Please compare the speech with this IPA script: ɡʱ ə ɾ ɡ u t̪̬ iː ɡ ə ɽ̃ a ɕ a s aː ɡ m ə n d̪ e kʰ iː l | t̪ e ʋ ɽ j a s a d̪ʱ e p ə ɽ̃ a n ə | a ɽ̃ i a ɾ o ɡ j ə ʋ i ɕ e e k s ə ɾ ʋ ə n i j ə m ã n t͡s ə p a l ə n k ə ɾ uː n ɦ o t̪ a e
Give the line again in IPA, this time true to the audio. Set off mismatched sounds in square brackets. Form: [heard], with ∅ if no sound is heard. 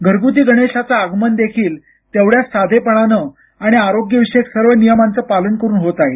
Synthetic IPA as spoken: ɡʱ ə ɾ ɡ u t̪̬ iː ɡ ə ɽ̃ [e] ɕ a [t͡s] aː ɡ m ə n d̪ e kʰ iː l | t̪ e ʋ ɽ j a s a d̪ʱ e p ə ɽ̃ a n ə | a ɽ̃ i a ɾ o ɡ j ə ʋ i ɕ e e k s ə ɾ ʋ ə n i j ə m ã n t͡s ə p a l ə n k ə ɾ uː n ɦ o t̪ a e